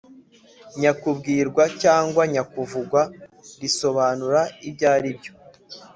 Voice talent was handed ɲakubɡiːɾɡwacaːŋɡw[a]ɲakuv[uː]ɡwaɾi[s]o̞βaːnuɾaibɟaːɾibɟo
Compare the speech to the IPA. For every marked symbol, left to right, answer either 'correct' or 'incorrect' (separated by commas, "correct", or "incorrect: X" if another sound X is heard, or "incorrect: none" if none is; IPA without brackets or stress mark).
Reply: correct, incorrect: u, correct